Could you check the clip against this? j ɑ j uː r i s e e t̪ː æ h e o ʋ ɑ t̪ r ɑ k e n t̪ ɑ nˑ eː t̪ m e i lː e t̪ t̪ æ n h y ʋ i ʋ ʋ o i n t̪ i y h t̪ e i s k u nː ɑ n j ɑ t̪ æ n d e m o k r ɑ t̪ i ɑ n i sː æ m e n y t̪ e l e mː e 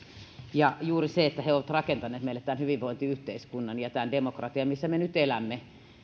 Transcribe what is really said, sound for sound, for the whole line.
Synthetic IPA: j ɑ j uː r i s e e t̪ː æ h e o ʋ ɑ t̪ r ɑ k e n t̪ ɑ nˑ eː t̪ m e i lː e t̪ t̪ æ n h y ʋ i ʋ ʋ o i n t̪ i y h t̪ e i s k u nː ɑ n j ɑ t̪ æ n d e m o k r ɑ t̪ i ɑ m i sː æ m e n y t̪ e l æ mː e

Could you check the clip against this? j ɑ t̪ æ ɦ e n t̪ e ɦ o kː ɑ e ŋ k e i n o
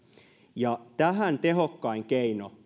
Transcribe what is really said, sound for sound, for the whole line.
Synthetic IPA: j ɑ t̪ æ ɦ æ n t̪ e ɦ o kː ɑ i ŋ k e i n o

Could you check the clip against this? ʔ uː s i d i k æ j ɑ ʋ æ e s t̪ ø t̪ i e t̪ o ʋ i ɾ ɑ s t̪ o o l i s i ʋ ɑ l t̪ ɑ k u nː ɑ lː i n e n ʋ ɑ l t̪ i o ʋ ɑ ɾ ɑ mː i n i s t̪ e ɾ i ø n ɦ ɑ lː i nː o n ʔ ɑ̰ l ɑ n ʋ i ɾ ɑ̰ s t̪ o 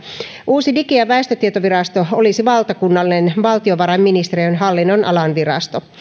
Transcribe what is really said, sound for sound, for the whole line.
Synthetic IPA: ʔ uː s i d i k i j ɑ ʋ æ e s t̪ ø t̪ i e t̪ o ʋ i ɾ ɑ s t̪ o o l i s i ʋ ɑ l t̪ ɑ k u nː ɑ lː i n e n ʋ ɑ l t̪ i o ʋ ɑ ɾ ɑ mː i n i s t̪ e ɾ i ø n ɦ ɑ lː i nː o n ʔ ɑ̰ l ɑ n ʋ i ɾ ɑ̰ s t̪ o

